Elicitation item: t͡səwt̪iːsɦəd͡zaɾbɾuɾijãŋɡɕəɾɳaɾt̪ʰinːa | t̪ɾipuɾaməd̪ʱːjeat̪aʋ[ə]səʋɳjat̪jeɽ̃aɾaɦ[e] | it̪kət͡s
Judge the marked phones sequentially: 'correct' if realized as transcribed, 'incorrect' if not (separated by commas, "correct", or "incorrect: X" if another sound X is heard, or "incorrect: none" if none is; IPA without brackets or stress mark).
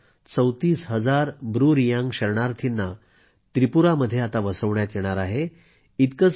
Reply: correct, correct